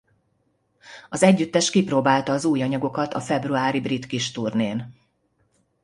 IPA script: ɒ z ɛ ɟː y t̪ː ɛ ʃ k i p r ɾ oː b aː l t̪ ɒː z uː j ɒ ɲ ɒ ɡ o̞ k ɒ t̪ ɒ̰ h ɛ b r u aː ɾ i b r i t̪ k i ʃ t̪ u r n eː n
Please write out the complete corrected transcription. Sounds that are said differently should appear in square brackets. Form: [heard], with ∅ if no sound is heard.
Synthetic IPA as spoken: ɒ z ɛ ɟː y t̪ː ɛ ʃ k i p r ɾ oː b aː l t̪ ɒː z uː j ɒ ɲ ɒ ɡ o̞ k ɒ t̪ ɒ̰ [f] ɛ b r u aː ɾ i b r i t̪ k i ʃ t̪ u r n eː n